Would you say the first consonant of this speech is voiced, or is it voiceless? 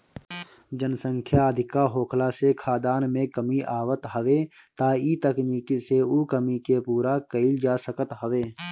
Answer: voiced